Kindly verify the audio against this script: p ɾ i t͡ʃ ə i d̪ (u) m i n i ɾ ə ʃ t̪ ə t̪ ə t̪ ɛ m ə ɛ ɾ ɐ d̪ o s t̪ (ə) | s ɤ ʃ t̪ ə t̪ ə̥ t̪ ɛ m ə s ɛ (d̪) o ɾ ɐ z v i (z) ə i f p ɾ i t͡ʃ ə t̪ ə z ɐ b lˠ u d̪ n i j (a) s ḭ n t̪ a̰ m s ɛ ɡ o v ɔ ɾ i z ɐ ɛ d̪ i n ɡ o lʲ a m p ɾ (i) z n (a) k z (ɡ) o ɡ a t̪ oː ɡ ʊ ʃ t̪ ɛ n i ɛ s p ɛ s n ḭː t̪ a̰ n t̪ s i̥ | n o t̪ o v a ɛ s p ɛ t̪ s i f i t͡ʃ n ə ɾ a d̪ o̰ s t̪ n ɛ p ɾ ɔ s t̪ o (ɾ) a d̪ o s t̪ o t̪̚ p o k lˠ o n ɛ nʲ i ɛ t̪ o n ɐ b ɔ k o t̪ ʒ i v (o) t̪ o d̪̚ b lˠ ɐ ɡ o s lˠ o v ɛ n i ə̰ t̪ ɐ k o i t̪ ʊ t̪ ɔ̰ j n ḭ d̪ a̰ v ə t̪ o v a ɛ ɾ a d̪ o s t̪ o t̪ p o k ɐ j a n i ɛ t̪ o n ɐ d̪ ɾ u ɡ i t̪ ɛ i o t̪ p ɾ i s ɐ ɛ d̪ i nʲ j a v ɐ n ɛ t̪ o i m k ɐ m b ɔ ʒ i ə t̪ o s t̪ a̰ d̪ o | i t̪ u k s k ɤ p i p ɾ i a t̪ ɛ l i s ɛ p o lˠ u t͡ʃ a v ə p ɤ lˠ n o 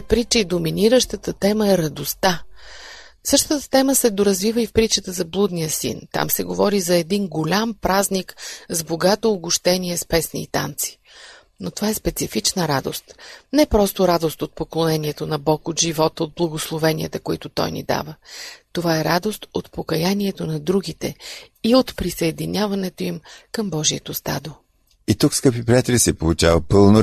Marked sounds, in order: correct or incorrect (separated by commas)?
incorrect, incorrect, correct, incorrect, incorrect, incorrect, incorrect, incorrect, correct, incorrect